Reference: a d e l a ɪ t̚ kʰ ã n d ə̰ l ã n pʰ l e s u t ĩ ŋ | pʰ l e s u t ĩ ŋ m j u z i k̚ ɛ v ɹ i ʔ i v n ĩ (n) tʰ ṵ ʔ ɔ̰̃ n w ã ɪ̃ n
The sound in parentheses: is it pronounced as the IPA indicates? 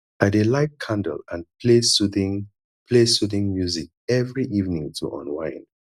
no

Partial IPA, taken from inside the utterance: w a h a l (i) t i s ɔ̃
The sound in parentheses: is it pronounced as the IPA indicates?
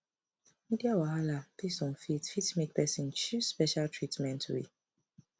no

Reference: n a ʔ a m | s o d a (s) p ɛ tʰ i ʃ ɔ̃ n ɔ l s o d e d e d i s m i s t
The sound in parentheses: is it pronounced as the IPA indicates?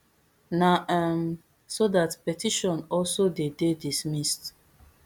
no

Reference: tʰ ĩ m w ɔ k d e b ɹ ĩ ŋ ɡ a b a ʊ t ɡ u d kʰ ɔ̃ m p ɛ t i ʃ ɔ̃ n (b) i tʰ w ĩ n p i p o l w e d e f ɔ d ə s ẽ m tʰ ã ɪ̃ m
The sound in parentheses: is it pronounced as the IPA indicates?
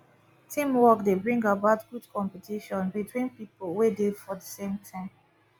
yes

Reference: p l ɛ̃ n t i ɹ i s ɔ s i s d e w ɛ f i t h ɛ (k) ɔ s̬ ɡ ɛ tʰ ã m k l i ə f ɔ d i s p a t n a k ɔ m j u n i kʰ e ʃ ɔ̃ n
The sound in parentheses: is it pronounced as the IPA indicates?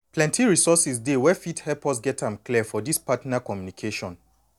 no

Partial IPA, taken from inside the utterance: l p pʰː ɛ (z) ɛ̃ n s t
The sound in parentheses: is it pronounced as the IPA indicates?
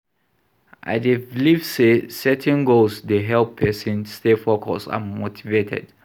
no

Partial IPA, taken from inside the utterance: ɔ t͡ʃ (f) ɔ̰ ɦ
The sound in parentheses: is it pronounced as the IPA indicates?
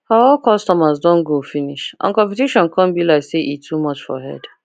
yes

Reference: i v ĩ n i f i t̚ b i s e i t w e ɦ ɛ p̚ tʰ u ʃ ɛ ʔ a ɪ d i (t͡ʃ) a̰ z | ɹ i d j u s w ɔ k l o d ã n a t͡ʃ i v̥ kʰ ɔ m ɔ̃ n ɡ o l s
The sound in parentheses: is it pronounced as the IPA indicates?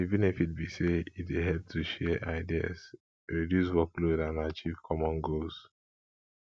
no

